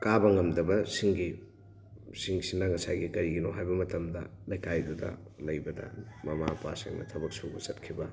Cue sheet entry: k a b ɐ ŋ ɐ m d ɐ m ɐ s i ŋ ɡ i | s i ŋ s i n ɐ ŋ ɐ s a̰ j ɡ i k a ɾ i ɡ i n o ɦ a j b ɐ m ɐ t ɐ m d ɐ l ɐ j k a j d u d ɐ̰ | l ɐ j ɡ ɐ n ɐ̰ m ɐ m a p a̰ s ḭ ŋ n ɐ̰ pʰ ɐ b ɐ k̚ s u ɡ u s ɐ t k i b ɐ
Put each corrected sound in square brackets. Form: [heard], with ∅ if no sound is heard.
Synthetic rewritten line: k a b ɐ ŋ ɐ m d ɐ [b] ɐ s i ŋ ɡ i | s i ŋ s i n ɐ ŋ ɐ s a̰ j ɡ i k [ɐ] ɾ i ɡ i n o ɦ a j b ɐ m ɐ t ɐ m d ɐ l ɐ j k a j d u d ɐ̰ | l ɐ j [b] ɐ [d] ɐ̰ m ɐ m a p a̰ s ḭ ŋ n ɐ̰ [tʰ] ɐ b ɐ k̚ s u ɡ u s ɐ t [kʰ] i b ɐ